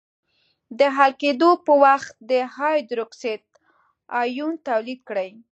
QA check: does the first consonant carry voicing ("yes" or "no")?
yes